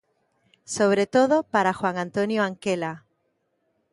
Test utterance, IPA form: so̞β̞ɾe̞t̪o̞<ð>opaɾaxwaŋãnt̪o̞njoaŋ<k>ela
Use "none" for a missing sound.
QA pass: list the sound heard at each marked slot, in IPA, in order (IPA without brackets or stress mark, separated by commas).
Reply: ð, k